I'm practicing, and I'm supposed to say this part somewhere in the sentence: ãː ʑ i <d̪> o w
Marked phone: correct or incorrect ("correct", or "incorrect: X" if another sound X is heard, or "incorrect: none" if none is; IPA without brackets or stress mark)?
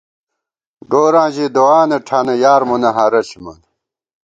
correct